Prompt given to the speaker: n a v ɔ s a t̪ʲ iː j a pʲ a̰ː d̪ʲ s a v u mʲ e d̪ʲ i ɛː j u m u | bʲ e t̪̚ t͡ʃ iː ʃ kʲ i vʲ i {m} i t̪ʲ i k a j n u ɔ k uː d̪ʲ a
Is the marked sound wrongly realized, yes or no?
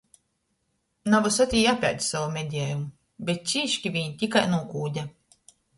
yes